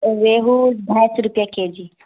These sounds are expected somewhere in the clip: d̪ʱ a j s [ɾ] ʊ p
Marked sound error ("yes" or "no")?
no